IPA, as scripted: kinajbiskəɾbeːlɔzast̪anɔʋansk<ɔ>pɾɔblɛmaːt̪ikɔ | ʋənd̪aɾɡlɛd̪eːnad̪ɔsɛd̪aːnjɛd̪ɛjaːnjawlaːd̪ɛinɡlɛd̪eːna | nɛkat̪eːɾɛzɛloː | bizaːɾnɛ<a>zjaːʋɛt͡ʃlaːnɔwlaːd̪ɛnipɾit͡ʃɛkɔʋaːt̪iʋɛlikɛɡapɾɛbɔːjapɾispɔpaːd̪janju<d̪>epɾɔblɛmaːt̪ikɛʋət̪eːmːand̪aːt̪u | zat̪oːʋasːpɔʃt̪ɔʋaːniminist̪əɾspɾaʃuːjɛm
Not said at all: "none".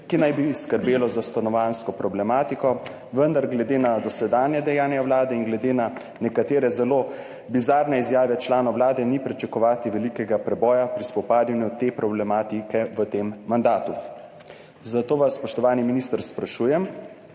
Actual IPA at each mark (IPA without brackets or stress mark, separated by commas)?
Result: ɔ, i, t̪